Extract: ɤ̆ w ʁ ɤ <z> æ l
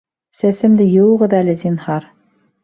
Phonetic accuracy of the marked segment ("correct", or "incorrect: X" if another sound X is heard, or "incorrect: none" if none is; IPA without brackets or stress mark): incorrect: ð